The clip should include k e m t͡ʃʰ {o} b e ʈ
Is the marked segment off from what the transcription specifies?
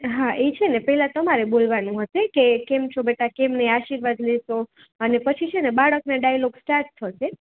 no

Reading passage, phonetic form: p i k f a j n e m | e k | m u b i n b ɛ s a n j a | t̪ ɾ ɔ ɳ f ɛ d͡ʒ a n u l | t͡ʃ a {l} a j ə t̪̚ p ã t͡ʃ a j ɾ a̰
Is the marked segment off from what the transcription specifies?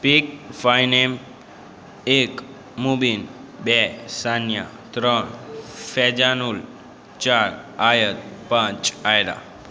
yes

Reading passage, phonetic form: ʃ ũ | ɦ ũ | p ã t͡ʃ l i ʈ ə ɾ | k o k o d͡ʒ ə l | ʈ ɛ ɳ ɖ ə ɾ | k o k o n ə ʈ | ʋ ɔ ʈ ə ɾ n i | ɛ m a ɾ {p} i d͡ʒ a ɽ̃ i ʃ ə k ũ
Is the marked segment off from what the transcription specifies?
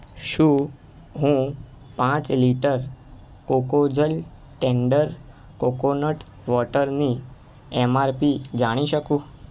no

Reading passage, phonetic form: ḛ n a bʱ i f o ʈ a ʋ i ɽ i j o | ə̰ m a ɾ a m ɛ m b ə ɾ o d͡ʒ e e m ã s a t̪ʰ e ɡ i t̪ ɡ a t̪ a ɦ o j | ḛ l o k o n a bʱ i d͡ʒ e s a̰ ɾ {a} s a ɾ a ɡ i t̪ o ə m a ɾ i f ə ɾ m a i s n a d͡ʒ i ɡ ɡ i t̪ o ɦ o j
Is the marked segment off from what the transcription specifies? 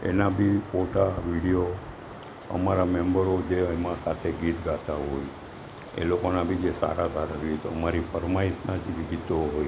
no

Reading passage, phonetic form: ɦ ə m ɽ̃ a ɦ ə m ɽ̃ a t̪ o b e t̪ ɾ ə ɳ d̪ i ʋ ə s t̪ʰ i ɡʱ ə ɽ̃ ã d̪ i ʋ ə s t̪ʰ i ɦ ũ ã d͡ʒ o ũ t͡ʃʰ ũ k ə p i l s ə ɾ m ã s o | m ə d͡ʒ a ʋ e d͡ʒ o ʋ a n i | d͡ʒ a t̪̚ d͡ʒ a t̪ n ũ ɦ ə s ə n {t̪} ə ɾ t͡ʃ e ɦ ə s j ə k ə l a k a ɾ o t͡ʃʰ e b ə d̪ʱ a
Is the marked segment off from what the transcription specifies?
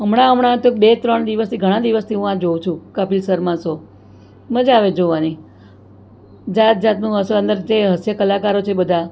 yes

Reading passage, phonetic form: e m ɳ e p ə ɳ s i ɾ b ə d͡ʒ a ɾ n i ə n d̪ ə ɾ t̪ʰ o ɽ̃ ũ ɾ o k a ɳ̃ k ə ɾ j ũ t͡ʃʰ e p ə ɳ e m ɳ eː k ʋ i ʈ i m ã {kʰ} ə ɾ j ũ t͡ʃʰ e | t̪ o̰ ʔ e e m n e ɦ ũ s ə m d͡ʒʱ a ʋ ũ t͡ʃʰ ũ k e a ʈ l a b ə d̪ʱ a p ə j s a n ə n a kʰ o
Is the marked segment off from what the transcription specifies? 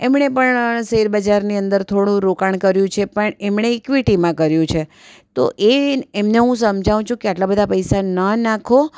yes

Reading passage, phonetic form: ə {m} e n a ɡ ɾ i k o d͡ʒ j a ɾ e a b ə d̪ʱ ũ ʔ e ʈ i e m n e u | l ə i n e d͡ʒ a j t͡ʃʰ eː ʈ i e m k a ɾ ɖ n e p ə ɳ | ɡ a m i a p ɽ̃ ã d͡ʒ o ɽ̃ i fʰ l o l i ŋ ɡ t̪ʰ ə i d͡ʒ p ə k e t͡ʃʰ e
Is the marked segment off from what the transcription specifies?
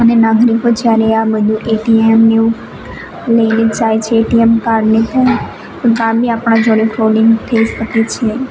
yes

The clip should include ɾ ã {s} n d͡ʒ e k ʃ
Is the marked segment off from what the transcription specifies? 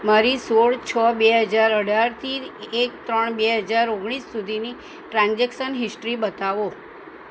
yes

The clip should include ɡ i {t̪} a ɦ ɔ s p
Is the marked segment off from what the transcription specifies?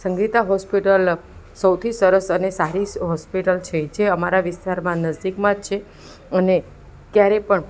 no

